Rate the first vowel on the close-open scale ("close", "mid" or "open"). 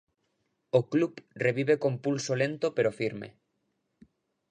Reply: mid